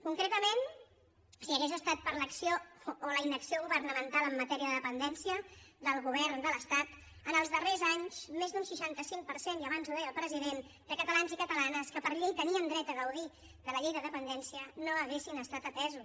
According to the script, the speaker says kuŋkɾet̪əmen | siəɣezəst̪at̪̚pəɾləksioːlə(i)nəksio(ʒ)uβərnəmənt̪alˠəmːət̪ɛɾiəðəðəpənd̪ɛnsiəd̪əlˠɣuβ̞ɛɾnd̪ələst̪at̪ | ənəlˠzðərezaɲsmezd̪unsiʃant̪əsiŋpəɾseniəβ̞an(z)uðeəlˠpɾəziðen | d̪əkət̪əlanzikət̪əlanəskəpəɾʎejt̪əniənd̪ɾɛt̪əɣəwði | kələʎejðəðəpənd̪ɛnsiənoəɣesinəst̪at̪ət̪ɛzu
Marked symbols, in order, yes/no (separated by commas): yes, no, yes